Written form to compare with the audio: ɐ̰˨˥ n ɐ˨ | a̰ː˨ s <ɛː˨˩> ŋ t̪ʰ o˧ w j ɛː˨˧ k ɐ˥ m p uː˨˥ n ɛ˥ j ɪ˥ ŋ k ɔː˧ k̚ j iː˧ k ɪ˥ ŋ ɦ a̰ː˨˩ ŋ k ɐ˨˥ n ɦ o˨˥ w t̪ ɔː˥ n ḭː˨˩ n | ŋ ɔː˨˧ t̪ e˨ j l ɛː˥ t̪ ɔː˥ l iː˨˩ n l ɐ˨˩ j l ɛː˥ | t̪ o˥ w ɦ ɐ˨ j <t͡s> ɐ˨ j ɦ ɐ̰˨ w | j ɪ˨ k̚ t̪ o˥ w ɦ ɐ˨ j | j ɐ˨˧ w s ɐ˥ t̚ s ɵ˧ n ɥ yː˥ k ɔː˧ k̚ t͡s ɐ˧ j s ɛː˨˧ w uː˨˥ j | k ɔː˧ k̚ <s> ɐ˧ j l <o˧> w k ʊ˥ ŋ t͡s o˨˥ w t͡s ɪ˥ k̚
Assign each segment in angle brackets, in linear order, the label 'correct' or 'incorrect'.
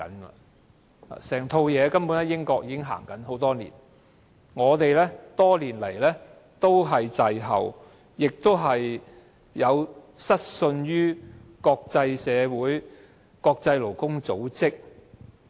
correct, correct, incorrect, incorrect

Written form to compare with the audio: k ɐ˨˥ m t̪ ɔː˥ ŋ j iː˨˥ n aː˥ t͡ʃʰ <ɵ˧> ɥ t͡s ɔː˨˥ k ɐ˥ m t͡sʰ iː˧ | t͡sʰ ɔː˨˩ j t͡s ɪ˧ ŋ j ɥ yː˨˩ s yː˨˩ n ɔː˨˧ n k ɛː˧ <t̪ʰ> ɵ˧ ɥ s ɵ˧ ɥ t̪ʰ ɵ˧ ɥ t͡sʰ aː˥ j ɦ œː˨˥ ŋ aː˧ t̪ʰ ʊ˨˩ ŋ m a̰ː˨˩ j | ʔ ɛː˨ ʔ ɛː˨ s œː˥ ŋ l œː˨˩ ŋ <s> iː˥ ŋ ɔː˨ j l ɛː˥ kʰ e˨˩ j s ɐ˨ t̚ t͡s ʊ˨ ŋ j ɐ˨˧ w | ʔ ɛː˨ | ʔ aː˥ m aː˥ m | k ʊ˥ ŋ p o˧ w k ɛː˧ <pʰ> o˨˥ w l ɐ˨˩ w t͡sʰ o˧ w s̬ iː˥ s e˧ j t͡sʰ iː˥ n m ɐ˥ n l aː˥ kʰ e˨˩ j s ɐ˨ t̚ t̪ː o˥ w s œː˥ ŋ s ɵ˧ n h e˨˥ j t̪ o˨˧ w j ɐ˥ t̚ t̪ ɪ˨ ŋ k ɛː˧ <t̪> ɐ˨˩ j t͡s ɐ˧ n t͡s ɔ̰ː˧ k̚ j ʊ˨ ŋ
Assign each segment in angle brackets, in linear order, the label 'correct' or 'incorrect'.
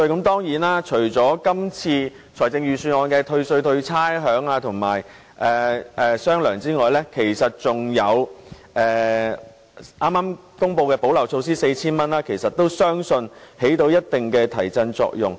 incorrect, correct, incorrect, incorrect, incorrect

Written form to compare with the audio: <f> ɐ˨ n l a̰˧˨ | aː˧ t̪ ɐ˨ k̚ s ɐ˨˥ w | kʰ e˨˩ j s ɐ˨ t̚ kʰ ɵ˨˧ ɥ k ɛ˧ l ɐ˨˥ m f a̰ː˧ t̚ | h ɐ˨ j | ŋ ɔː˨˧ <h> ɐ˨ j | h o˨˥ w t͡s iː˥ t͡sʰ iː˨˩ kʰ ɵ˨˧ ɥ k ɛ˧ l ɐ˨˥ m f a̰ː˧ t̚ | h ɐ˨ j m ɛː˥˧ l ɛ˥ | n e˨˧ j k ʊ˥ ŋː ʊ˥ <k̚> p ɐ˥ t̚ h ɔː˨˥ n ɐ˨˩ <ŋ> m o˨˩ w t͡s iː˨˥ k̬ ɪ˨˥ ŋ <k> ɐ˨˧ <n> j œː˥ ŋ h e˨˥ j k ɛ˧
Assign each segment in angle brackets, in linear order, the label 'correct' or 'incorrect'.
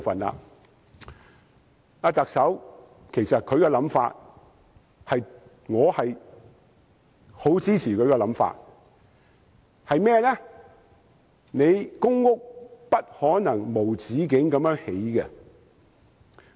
correct, correct, correct, correct, correct, incorrect

